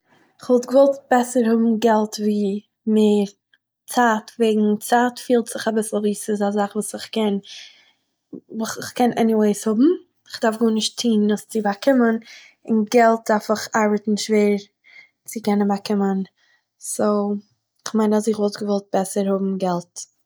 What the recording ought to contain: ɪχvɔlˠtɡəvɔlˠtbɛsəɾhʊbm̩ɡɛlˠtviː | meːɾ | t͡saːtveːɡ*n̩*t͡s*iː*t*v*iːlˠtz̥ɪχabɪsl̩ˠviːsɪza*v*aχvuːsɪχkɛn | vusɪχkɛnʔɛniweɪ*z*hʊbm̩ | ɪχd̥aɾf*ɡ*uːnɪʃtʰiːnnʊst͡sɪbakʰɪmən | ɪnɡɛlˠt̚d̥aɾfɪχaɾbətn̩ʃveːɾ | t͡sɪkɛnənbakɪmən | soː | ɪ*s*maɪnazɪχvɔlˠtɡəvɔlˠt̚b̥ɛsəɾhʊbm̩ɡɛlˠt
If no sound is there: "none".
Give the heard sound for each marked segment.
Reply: ŋ̩, aː, f, z, s, ɡ, χ

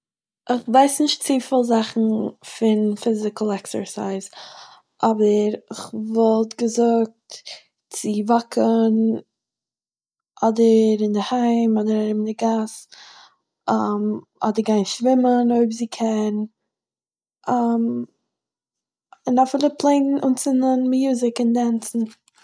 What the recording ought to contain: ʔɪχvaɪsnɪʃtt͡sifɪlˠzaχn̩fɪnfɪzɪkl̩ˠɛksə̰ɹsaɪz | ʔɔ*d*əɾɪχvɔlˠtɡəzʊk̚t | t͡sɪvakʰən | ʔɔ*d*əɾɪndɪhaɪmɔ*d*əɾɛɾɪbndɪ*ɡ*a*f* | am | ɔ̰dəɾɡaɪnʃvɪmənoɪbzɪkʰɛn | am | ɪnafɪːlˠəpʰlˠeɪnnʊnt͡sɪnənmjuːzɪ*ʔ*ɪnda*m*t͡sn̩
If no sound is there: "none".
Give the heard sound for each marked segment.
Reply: b, d, d, ɡ, s, k, n

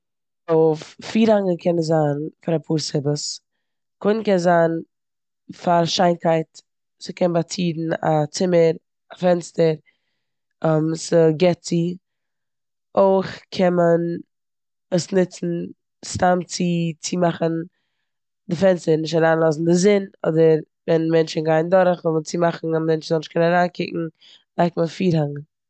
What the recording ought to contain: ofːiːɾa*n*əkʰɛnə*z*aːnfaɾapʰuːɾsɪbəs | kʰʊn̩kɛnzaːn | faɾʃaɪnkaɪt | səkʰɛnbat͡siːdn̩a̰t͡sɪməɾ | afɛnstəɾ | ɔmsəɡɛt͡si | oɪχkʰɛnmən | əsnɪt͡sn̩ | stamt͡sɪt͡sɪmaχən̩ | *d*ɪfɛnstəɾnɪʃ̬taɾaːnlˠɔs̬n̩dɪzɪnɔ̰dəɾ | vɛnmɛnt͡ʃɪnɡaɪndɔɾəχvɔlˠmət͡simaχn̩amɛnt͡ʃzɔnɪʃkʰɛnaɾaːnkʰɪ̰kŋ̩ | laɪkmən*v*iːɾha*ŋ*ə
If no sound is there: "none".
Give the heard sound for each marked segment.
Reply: ŋ, z, d, f, ŋ

